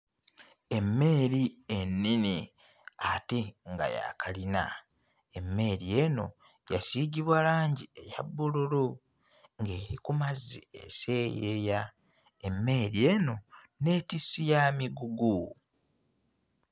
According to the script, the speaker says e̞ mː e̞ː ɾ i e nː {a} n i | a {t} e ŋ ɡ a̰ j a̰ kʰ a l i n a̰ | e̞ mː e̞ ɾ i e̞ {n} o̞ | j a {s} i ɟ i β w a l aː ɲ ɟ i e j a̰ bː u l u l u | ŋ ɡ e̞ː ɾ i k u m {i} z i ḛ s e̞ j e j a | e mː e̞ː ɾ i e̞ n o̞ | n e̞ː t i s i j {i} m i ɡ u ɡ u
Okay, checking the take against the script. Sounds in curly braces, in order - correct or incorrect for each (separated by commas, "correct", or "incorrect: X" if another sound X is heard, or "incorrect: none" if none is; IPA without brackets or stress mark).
incorrect: i, correct, correct, correct, incorrect: a, incorrect: a